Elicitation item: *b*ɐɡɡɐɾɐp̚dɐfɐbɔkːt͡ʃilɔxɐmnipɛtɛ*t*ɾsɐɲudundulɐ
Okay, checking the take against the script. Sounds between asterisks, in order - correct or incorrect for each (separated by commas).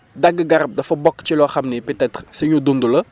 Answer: incorrect, correct